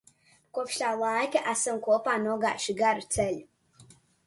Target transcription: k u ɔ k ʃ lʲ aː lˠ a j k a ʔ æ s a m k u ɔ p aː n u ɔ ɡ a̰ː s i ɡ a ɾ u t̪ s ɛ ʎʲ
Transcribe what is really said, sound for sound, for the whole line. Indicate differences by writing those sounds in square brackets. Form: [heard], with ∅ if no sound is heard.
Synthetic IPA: k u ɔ [p] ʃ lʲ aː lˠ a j k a ʔ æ s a m k u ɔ p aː n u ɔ ɡ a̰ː [ʃ] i ɡ a ɾ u t̪ s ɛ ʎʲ